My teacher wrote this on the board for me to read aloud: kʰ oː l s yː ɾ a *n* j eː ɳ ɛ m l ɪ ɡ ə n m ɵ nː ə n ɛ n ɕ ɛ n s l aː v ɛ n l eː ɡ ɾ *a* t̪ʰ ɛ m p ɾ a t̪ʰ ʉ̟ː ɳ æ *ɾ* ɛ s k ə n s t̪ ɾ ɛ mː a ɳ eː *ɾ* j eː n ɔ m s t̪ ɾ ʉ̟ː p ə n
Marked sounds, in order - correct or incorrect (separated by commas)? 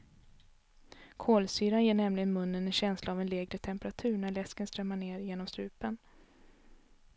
correct, incorrect, incorrect, correct